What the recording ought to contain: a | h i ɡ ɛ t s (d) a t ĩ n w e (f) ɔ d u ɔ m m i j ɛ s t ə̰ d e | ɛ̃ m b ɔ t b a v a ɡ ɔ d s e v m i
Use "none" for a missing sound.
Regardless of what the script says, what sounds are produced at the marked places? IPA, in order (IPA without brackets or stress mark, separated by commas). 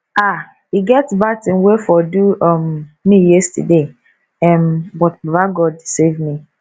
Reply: b, f